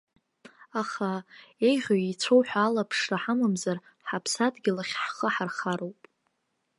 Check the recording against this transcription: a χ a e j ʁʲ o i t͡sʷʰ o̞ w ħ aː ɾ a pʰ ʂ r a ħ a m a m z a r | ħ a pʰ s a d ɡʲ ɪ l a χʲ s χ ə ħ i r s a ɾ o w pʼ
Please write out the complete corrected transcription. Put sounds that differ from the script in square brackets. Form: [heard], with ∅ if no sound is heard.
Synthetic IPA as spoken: a χ a e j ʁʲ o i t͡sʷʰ o̞ w ħ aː [l] a pʰ ʂ r a ħ a m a m z a r | ħ a pʰ s a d ɡʲ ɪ l a χʲ [ħ] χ ə ħ [a] r [χ] a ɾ o w pʼ